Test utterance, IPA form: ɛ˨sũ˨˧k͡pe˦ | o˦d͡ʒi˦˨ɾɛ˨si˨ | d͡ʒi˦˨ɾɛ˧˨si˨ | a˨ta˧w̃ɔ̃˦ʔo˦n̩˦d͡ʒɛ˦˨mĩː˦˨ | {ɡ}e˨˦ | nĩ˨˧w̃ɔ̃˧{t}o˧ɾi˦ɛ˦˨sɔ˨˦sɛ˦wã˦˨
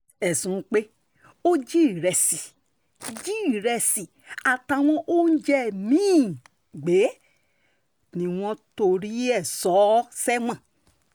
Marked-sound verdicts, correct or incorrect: incorrect, correct

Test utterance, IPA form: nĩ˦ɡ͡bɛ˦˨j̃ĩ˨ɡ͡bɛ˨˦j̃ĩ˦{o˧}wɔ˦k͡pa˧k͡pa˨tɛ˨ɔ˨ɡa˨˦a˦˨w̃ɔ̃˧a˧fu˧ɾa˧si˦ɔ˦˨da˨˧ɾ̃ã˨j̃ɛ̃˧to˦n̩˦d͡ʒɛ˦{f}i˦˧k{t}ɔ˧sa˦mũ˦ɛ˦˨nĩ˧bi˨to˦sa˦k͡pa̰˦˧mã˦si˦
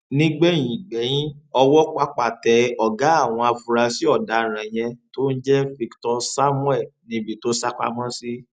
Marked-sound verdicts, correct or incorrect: incorrect, correct, correct

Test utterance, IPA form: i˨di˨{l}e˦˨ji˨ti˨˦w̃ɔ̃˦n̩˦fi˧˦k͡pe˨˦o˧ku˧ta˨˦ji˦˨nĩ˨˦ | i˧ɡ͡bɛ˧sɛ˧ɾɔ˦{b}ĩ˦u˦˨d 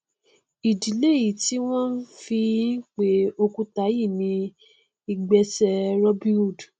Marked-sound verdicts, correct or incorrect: correct, correct

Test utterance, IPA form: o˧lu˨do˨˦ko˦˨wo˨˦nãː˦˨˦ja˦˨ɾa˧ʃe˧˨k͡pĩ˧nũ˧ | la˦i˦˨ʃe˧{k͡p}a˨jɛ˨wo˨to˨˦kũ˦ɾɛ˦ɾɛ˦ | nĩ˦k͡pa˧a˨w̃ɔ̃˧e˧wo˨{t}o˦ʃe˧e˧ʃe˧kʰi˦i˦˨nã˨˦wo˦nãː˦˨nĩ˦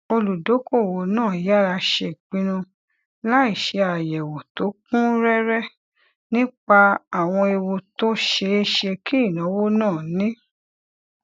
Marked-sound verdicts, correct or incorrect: incorrect, correct

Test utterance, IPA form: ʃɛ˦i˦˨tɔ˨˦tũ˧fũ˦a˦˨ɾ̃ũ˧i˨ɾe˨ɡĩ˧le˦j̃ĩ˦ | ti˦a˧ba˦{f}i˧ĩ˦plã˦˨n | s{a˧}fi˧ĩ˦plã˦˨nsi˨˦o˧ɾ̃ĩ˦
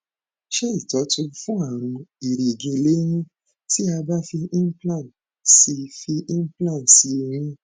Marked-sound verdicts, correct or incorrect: correct, incorrect

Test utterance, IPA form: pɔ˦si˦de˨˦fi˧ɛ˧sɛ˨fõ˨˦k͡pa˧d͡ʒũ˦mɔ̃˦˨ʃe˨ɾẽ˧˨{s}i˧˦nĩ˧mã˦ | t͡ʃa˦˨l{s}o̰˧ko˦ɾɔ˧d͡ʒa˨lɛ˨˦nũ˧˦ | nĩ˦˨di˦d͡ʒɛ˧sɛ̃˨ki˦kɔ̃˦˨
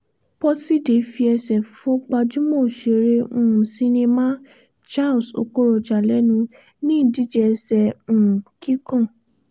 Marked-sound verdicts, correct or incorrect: correct, correct

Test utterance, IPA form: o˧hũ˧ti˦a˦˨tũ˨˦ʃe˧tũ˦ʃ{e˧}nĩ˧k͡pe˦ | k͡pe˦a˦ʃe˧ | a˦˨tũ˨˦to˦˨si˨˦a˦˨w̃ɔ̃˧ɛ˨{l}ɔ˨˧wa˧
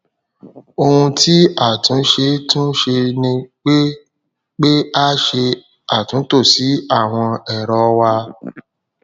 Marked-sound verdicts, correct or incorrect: correct, incorrect

